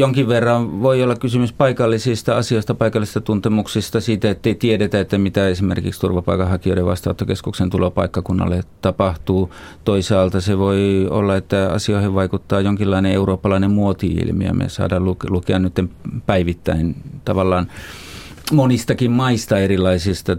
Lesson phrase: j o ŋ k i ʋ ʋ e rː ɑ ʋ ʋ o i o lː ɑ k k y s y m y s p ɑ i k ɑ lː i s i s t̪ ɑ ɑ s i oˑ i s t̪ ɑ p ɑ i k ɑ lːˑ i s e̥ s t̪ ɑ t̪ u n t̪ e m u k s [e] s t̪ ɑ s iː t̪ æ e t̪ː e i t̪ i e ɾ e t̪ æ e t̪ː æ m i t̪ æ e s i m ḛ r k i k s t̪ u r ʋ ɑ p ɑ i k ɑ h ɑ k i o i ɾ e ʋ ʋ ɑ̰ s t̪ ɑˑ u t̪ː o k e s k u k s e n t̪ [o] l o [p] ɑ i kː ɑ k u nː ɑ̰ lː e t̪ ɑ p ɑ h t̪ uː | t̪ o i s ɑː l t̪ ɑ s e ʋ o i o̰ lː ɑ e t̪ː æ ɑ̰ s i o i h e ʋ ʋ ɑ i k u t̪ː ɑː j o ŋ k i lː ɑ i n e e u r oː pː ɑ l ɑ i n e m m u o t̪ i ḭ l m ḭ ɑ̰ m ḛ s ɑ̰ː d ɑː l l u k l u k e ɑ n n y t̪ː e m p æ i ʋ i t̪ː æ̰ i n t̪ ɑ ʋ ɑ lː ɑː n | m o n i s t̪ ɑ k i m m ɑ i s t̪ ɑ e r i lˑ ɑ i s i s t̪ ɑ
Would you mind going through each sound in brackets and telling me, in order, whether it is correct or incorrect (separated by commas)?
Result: incorrect, incorrect, correct